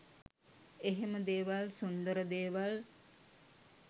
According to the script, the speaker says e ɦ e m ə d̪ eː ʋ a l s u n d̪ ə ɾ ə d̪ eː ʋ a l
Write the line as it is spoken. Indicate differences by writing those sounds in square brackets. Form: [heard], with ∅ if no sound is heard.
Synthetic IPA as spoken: e ɦ e m ə d̪ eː ʋ a l s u n d̪ ə ɾ ə d̪ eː ʋ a l